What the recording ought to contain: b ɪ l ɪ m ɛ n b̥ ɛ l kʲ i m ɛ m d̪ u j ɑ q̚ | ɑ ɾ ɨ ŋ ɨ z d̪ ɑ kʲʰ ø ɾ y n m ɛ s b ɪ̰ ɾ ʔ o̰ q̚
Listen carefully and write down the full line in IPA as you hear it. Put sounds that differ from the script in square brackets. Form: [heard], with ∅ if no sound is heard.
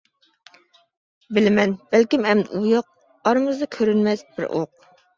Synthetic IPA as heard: b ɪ l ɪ m ɛ n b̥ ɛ l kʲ i m ɛ m d̪ u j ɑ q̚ | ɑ ɾ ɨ [m] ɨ z d̪ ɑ kʲʰ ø ɾ y n m ɛ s b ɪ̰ ɾ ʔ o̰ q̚